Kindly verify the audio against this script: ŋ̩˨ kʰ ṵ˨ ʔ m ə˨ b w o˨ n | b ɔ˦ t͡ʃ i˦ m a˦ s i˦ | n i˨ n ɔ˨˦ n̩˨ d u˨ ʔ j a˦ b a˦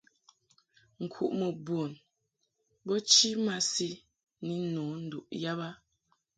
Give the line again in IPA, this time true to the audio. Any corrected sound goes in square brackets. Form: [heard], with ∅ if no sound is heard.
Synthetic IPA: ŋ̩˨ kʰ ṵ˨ ʔ m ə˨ b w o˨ n | b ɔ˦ t͡ʃ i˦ m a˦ s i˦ | n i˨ n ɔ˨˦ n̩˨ d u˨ ʔ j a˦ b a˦